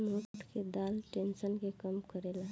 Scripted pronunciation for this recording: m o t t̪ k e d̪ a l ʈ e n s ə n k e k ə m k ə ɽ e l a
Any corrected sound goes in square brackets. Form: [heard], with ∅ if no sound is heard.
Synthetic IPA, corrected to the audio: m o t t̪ k e d̪ a l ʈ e n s ə n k e k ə m k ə [ɾ] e l a